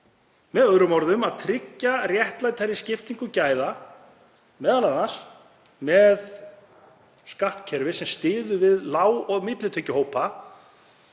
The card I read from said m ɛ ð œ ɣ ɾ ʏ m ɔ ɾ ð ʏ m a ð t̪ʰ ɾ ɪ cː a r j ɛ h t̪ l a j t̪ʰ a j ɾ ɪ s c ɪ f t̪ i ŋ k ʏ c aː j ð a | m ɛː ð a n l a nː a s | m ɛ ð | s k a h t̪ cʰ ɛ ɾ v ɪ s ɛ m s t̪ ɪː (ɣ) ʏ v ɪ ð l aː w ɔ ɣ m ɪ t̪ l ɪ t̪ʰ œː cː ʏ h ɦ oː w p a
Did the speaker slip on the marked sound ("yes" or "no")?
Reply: yes